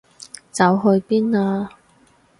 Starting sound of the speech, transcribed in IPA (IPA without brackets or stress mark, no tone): t͡s